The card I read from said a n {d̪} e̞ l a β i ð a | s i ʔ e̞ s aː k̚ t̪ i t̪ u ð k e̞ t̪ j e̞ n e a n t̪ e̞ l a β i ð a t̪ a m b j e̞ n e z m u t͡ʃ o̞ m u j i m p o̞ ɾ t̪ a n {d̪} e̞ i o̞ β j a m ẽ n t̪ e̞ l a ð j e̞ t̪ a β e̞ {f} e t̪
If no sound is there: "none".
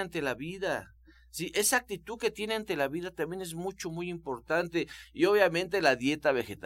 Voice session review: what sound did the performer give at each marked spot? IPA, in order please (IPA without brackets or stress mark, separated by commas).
t̪, t̪, x